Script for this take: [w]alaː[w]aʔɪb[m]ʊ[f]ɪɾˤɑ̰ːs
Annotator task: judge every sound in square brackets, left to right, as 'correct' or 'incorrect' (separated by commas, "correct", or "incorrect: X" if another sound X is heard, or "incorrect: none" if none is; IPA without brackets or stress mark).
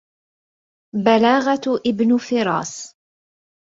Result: incorrect: b, incorrect: ɣ, incorrect: n, correct